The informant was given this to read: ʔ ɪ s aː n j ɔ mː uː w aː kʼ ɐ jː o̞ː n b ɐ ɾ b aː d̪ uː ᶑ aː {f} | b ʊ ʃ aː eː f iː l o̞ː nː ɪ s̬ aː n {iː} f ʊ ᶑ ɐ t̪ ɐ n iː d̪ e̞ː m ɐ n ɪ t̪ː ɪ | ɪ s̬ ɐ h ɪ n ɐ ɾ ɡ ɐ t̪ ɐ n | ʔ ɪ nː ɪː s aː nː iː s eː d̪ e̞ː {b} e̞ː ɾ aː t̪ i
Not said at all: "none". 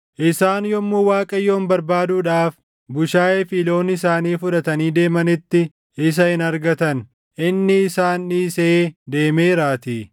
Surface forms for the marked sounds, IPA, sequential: f, iː, m

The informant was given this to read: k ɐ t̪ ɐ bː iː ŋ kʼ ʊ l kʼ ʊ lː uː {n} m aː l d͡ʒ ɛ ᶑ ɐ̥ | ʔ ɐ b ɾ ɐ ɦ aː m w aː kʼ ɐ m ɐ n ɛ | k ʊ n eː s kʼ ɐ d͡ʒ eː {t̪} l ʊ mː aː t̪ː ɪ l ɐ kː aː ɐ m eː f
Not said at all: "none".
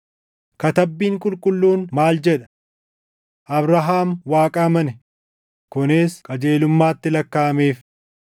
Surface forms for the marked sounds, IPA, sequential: n, none

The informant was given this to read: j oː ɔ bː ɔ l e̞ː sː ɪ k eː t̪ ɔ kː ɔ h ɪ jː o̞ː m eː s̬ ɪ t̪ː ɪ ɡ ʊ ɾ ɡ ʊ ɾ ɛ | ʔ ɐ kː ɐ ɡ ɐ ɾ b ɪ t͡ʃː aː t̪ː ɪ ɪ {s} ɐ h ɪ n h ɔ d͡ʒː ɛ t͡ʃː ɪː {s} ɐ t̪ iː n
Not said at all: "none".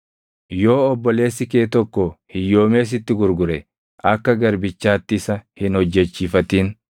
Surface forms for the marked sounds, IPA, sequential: s, f

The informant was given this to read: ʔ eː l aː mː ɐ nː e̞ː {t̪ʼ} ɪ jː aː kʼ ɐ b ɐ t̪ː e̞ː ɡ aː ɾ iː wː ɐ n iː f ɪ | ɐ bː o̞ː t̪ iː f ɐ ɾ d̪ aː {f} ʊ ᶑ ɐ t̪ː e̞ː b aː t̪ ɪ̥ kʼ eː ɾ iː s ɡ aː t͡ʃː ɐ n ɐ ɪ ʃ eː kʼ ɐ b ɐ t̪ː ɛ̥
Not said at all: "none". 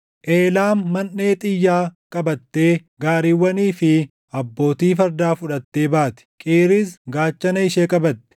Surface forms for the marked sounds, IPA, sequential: t̪ʼ, f

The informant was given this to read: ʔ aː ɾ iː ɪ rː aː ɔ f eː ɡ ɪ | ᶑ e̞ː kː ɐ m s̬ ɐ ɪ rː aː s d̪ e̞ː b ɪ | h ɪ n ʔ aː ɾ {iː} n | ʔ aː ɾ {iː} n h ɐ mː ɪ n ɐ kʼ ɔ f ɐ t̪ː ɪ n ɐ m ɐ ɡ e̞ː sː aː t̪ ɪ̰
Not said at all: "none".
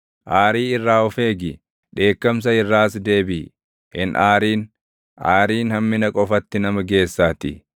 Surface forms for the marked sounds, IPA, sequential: iː, iː

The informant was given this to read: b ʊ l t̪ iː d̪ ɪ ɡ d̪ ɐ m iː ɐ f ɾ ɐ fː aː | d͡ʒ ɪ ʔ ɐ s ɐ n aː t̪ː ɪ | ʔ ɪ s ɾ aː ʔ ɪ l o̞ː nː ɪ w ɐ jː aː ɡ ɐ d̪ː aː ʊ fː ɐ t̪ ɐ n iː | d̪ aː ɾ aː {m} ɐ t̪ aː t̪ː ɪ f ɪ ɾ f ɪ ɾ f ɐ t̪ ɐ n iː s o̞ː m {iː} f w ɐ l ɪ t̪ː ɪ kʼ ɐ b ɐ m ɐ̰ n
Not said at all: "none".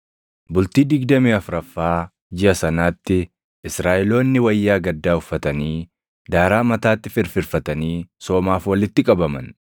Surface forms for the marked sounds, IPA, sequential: m, aː

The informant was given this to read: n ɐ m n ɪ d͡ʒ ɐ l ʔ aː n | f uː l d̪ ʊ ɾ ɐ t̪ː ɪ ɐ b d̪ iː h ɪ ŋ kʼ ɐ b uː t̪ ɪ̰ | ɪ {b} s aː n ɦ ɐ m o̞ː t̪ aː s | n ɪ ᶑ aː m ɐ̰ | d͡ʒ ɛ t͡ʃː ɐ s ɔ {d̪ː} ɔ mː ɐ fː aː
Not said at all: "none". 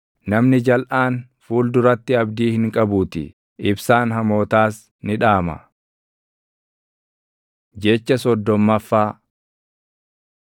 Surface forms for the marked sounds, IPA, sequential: b, d̪ː

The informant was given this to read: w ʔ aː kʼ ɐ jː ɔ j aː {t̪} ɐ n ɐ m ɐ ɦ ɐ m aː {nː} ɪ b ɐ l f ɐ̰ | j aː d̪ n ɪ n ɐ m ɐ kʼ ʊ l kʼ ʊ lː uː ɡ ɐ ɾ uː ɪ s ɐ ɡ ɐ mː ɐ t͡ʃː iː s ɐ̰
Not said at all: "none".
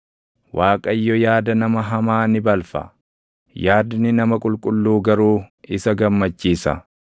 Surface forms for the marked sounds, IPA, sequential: d̪, n

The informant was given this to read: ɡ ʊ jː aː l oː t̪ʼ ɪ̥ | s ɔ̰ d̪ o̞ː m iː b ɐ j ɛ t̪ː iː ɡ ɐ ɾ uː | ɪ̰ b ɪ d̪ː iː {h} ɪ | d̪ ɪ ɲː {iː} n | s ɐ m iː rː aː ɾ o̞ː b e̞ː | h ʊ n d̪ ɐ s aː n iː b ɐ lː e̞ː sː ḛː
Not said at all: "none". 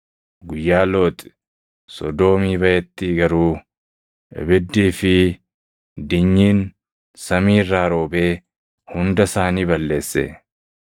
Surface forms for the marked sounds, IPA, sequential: f, iː

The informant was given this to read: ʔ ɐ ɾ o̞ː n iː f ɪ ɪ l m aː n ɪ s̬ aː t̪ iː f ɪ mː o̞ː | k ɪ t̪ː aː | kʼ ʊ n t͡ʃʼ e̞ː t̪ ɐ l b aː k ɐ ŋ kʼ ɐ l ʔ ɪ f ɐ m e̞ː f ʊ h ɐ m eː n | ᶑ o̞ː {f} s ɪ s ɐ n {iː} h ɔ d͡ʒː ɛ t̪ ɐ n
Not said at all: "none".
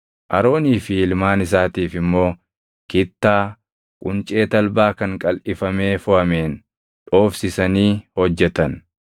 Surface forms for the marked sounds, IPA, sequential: f, iː

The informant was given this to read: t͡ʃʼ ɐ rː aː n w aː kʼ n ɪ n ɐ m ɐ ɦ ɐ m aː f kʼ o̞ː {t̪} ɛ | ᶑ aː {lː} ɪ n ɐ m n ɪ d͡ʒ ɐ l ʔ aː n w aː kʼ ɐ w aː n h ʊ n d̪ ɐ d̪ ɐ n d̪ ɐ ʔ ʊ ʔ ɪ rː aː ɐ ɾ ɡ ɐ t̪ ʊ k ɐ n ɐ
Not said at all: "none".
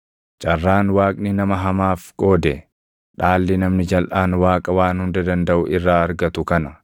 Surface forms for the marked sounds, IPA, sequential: d̪, lː

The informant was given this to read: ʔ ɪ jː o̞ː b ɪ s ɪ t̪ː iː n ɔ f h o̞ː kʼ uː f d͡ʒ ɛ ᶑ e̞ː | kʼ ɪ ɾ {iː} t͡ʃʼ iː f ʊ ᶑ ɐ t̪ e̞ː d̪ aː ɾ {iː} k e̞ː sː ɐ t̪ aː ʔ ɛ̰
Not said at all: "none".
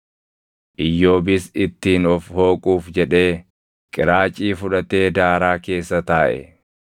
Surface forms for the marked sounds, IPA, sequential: aː, aː

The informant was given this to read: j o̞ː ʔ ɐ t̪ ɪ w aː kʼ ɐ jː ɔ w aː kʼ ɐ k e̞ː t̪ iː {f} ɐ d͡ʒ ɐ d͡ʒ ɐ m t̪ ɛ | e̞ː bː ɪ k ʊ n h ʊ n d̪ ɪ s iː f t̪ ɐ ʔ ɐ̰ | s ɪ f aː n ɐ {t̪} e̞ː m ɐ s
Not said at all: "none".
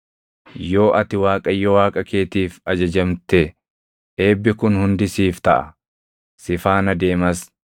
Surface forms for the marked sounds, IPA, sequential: f, d̪

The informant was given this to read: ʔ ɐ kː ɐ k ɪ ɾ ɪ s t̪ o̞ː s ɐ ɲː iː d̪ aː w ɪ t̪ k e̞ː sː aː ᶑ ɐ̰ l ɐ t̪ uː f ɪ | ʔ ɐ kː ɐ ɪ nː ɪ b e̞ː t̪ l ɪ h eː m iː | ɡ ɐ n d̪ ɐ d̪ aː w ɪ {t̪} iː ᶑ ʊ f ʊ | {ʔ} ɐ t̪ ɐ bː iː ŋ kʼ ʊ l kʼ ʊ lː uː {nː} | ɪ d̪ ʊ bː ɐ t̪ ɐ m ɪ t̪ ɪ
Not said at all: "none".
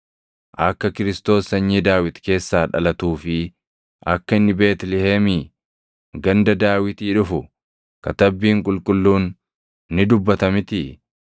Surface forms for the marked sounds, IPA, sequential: t̪, k, nː

